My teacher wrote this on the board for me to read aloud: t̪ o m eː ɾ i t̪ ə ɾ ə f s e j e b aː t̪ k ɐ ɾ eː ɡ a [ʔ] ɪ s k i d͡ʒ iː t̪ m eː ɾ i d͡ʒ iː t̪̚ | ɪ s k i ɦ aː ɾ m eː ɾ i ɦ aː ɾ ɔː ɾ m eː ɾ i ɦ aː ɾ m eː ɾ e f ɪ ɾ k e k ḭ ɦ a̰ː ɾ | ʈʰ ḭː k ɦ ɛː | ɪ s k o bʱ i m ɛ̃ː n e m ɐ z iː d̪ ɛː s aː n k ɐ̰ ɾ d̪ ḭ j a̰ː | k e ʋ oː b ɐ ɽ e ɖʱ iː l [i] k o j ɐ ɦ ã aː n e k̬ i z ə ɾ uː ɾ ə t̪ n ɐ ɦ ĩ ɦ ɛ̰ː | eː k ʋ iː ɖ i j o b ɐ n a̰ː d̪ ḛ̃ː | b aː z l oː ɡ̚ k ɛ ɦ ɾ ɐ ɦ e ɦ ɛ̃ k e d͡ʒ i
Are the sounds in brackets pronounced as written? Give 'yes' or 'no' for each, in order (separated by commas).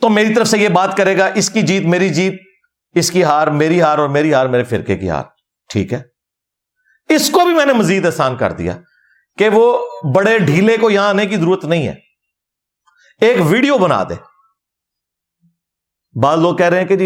yes, no